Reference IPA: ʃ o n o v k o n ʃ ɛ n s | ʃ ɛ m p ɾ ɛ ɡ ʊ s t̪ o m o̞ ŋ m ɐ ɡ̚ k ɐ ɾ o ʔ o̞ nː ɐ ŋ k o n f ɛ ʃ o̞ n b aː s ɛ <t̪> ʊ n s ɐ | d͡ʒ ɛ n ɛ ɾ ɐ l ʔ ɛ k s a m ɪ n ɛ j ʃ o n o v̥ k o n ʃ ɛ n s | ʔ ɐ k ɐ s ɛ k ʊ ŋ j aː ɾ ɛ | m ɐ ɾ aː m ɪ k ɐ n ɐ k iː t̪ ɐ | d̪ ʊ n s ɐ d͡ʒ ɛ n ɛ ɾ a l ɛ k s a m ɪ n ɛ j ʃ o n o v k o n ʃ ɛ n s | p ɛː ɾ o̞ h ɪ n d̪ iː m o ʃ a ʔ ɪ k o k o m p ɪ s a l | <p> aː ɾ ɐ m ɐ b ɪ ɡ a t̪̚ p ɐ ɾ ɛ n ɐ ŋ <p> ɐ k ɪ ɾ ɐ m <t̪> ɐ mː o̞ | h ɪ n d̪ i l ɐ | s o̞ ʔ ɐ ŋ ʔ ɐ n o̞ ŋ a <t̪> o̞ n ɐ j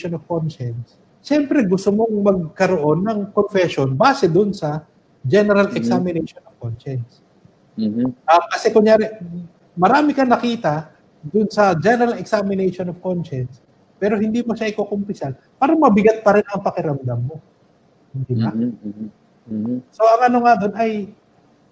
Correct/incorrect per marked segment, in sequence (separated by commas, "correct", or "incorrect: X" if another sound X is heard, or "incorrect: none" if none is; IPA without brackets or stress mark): incorrect: d̪, correct, correct, incorrect: d̪, incorrect: d̪